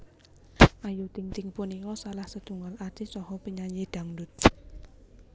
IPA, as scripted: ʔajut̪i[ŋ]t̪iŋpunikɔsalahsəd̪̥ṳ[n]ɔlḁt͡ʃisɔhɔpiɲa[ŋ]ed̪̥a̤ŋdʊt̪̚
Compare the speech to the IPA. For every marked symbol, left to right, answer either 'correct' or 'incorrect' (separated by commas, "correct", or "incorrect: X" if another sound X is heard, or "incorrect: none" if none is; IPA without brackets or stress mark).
correct, incorrect: ŋ, incorrect: ɲ